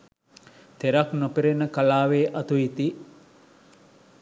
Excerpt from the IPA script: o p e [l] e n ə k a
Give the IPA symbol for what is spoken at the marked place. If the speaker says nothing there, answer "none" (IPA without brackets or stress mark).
ɾ